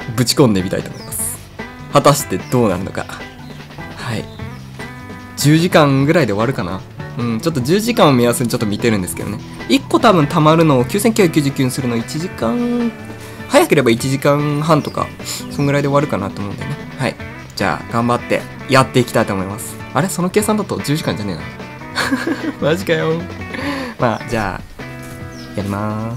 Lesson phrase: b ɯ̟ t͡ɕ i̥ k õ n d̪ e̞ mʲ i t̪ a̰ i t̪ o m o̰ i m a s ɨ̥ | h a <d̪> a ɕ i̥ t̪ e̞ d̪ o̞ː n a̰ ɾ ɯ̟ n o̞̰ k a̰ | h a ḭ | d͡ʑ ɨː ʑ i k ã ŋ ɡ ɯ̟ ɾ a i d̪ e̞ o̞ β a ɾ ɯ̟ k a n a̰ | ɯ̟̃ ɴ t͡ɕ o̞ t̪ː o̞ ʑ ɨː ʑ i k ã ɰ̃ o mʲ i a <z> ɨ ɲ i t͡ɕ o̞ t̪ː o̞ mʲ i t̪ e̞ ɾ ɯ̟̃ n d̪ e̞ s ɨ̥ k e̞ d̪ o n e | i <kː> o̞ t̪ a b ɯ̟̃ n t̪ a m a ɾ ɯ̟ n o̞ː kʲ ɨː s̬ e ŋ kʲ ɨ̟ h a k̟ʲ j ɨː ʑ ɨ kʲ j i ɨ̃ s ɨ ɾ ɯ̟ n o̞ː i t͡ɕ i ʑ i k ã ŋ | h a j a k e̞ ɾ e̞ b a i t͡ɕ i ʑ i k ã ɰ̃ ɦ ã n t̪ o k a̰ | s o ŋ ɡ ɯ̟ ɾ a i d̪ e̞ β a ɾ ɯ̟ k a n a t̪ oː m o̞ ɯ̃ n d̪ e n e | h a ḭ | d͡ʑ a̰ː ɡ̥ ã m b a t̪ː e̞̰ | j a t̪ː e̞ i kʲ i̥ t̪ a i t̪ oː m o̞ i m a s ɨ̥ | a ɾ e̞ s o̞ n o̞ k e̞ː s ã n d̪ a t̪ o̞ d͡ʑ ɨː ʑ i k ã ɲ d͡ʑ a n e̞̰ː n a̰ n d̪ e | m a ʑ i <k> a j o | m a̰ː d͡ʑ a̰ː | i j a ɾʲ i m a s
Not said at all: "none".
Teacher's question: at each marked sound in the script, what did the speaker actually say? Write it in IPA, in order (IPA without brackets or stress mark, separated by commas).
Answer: t̪, s, kː, k